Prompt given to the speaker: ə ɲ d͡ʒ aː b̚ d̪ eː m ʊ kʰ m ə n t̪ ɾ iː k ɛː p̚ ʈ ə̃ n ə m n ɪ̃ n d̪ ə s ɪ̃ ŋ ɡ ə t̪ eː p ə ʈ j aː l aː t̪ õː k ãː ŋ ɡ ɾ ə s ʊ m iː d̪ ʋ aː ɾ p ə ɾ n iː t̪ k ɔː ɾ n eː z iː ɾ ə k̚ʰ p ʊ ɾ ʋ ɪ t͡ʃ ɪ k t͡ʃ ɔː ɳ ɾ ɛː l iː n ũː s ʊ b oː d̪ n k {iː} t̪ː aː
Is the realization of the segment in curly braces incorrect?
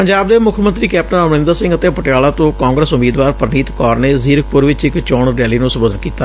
no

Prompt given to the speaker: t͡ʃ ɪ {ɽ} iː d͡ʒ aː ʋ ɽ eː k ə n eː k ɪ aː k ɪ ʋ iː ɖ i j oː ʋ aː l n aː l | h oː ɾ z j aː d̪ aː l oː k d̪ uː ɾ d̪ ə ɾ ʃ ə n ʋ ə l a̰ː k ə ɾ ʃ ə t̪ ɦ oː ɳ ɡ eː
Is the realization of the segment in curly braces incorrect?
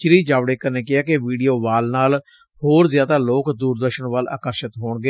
yes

